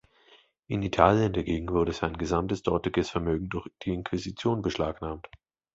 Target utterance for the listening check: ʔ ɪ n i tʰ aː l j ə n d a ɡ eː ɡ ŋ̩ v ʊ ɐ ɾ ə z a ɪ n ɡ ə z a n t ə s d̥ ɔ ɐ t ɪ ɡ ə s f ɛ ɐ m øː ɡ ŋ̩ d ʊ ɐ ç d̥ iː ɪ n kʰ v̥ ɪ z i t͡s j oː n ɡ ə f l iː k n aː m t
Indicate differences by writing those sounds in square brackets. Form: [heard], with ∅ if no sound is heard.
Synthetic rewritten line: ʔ ɪ n i tʰ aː l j ə n d a ɡ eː ɡ ŋ̩ v ʊ ɐ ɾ ə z a ɪ n ɡ ə z a [m] t ə s d̥ ɔ ɐ t ɪ ɡ ə s f ɛ ɐ m øː ɡ ŋ̩ d ʊ ɐ ç d̥ iː ɪ n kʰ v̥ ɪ z i t͡s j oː n [b] ə [ʃ] l [aː] k n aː m t

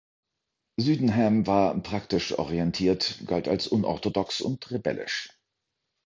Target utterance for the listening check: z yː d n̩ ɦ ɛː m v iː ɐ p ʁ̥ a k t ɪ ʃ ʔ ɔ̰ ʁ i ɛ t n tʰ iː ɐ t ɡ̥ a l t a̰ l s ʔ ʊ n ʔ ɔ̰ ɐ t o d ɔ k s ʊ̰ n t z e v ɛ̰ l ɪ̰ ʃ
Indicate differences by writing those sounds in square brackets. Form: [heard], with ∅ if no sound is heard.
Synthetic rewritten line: z yː d n̩ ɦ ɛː m v [aː] ɐ p ʁ̥ a k t ɪ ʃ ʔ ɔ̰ ʁ i ɛ [∅] n tʰ iː ɐ t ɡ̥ a l t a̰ l s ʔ ʊ n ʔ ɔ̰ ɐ t o d ɔ k s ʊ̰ n t [ʁ] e [b] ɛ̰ l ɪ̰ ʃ

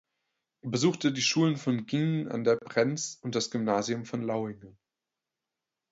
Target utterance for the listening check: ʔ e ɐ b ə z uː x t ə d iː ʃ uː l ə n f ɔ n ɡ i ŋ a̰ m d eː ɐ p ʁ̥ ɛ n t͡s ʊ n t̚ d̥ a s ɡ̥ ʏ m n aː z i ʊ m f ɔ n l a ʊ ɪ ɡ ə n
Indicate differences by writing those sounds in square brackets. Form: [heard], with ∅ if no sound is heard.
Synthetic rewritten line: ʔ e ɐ b ə z uː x t ə d iː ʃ uː l ə n f ɔ n ɡ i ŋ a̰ [n] d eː ɐ p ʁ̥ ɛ n t͡s ʊ n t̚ d̥ a s ɡ̥ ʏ m n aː z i ʊ m f ɔ n l a ʊ ɪ [ŋ] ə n

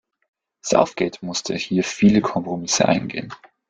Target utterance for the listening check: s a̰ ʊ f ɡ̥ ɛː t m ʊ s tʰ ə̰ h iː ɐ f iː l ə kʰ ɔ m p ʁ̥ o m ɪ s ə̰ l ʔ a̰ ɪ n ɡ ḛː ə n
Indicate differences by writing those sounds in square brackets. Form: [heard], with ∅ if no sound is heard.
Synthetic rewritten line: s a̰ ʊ f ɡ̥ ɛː t m ʊ s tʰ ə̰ h iː ɐ f iː l ə kʰ ɔ m p ʁ̥ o m ɪ s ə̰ [∅] ʔ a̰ ɪ n ɡ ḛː ə n

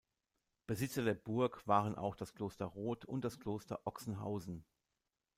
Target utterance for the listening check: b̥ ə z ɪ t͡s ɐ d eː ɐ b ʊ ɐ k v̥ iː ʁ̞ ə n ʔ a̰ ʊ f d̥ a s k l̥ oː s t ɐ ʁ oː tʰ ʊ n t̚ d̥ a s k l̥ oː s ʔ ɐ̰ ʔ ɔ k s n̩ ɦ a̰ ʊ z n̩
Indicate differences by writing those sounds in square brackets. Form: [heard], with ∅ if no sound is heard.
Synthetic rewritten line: b̥ ə z ɪ t͡s ɐ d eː ɐ b ʊ ɐ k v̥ [aː] ʁ̞ ə n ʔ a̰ ʊ [x] d̥ a s k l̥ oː s t ɐ ʁ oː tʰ ʊ n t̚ d̥ a s k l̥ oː s [t] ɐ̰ ʔ ɔ k s n̩ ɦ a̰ ʊ z n̩

